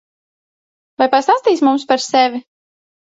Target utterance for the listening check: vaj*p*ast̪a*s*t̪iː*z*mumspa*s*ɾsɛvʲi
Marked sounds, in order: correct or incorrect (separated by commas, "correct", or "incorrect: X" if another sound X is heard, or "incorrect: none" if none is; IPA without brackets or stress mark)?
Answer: correct, correct, incorrect: s, incorrect: none